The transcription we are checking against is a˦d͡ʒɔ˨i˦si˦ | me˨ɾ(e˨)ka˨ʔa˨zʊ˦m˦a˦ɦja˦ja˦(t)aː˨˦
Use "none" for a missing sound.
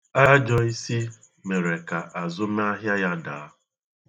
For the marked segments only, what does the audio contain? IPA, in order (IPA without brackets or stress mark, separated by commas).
e˨, d